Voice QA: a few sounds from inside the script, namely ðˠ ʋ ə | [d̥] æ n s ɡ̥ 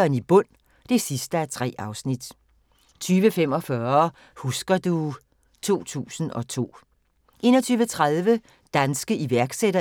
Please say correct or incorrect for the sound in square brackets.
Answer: correct